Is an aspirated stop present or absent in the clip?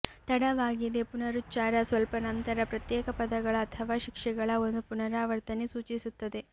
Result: present